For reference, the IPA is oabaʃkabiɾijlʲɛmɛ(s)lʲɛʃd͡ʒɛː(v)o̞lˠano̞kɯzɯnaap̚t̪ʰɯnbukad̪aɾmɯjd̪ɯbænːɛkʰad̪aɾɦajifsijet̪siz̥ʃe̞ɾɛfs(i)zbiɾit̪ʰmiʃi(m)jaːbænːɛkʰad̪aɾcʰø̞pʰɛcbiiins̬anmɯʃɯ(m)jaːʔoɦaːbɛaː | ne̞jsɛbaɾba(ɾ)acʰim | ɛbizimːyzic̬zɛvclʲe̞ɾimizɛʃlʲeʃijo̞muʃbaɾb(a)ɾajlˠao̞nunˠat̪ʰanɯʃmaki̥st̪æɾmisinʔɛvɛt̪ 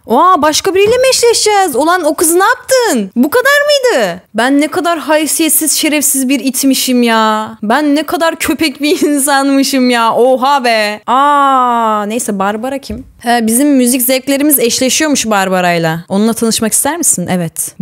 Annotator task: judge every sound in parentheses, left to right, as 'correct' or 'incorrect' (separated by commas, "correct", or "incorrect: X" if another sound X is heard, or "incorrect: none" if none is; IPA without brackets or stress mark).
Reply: incorrect: ʃ, incorrect: z, correct, correct, correct, correct, correct